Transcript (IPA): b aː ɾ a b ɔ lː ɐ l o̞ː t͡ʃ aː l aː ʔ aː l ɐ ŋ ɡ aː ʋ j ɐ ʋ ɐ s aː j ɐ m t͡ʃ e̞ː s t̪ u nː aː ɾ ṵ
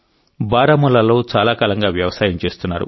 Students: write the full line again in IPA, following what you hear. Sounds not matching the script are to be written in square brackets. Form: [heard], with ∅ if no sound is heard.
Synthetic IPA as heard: b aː ɾ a [m] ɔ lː ɐ l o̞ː t͡ʃ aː l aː [k] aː l ɐ ŋ ɡ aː ʋ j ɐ ʋ ɐ s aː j ɐ m t͡ʃ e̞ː s t̪ u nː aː ɾ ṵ